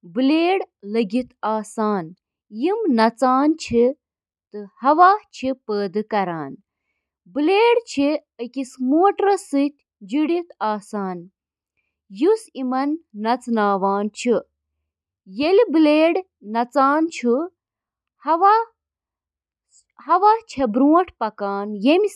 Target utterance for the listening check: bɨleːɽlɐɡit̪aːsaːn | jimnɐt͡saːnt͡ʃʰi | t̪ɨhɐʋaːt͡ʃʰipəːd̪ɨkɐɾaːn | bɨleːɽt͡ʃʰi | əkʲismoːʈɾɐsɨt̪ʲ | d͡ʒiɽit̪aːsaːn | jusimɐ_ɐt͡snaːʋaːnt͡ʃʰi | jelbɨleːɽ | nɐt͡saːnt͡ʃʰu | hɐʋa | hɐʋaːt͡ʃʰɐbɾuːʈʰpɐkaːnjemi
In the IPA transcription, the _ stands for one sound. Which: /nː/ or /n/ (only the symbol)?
nː